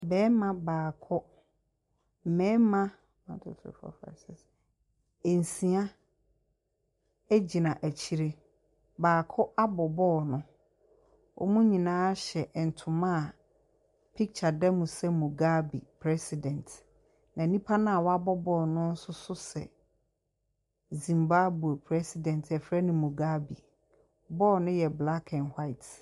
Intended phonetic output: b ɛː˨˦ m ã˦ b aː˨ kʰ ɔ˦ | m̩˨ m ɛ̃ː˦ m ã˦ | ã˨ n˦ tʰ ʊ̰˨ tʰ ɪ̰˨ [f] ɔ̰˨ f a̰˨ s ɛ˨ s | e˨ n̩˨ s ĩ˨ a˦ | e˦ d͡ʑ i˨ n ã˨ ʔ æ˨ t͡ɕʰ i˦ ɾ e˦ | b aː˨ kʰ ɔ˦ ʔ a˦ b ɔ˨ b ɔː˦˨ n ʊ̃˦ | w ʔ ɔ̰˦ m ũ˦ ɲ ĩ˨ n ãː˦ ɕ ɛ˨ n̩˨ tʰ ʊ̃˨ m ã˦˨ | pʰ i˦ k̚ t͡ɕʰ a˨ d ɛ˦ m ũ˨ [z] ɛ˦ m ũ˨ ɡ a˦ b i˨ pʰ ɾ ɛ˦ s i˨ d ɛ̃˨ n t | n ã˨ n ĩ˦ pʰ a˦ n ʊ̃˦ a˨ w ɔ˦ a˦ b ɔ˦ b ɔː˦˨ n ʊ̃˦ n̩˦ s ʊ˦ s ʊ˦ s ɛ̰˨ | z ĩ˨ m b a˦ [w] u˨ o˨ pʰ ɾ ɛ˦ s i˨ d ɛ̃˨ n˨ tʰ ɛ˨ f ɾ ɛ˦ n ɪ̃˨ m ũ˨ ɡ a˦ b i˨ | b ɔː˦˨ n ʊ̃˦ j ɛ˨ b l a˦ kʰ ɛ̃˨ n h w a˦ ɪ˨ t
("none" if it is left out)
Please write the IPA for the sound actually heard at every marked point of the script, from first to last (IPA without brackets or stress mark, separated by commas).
f, s, b